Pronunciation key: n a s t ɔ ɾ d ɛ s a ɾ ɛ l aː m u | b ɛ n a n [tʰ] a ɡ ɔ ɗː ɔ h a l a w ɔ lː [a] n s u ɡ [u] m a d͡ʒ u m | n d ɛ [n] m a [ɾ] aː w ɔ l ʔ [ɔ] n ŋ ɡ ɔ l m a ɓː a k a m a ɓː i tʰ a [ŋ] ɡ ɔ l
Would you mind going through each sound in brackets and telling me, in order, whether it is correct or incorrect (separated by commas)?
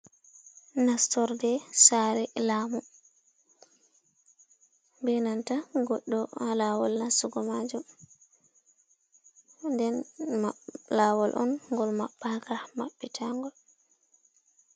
incorrect, correct, incorrect, correct, incorrect, correct, correct